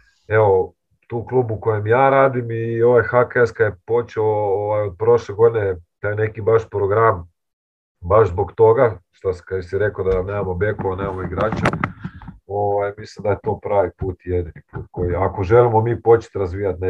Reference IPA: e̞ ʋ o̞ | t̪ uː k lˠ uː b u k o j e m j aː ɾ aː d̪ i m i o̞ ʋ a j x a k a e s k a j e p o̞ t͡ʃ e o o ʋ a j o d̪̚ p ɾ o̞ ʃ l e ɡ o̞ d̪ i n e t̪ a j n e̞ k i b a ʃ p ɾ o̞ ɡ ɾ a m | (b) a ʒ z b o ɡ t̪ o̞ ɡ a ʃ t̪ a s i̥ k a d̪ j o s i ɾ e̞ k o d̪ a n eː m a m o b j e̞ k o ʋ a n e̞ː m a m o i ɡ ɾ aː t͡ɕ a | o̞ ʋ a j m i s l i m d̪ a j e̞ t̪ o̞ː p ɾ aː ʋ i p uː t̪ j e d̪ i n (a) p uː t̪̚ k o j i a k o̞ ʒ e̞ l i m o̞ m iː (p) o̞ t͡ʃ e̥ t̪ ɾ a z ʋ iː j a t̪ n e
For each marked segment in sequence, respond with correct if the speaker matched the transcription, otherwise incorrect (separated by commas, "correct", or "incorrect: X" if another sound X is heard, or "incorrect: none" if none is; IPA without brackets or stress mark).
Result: correct, incorrect: i, correct